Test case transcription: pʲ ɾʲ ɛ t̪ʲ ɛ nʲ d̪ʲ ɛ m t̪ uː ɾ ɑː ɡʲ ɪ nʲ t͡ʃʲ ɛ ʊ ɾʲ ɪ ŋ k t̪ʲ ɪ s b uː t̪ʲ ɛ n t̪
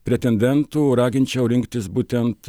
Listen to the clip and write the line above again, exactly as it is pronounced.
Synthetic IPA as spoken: pʲ ɾʲ ɛ t̪ʲ ɛ nʲ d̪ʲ ɛ n t̪ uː ɾ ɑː ɡʲ ɪ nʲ t͡ʃʲ ɛ ʊ ɾʲ ɪ ŋ k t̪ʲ ɪ s b uː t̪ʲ ɛ n t̪